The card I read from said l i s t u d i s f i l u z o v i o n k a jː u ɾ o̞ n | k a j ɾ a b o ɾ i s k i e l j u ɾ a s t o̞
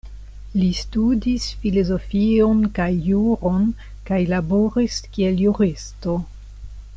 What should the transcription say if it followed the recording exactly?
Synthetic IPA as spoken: l i s t u d i s f i l o z o f i o n k a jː u ɾ o̞ n | k a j l a b o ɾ i s k i e l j u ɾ i s t o̞